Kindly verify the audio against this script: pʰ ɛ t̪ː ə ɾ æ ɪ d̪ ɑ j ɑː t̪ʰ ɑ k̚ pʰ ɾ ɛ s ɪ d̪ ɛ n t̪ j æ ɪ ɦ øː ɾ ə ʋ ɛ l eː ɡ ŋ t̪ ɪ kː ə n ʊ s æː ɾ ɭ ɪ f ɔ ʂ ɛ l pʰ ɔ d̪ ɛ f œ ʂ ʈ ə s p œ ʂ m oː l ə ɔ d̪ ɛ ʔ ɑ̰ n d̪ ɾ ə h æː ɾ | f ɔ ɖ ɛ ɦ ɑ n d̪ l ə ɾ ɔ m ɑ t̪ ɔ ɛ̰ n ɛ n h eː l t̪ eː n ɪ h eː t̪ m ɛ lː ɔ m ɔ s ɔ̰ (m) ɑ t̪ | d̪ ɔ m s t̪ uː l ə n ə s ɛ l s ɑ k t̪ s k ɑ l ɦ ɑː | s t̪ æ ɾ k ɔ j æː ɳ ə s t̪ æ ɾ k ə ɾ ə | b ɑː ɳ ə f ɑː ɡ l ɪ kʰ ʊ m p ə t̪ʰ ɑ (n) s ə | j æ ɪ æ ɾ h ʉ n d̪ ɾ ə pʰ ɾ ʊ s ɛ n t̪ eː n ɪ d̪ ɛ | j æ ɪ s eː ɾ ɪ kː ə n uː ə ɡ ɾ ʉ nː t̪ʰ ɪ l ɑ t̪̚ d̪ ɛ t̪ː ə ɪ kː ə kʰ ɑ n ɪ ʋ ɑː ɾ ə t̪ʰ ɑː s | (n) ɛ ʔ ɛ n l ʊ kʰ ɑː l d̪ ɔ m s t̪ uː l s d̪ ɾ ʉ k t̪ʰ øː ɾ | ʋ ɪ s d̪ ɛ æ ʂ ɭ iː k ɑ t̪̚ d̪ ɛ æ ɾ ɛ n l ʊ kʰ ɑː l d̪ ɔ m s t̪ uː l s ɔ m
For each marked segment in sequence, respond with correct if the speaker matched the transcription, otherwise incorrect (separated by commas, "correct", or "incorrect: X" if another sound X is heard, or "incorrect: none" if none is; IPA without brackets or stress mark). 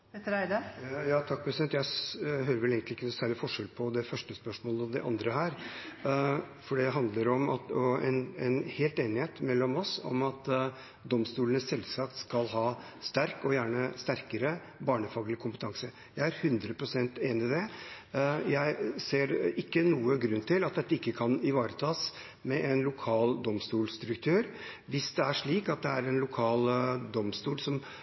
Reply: correct, incorrect: ŋ, incorrect: m